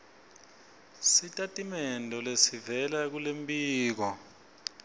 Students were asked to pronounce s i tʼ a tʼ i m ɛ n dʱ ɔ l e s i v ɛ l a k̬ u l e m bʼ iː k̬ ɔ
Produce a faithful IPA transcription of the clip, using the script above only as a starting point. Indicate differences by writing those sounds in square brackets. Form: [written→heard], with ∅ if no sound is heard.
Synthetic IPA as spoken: s i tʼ a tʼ i m ɛ n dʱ ɔ l e s i v ɛ l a k̬ u l e m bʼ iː k̬ ɔ